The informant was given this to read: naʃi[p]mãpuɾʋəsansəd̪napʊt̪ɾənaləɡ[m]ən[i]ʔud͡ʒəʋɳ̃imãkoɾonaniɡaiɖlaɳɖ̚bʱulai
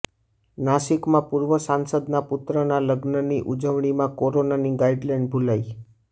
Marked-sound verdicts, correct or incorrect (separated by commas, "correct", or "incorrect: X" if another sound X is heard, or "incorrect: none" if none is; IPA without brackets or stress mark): incorrect: k, incorrect: n, correct